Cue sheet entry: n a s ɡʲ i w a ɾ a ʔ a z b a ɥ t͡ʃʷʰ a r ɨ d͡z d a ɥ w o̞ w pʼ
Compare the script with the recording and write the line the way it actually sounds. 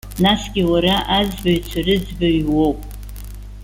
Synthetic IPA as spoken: n a s ɡʲ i w a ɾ a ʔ a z b a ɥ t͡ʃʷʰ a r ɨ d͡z b a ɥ w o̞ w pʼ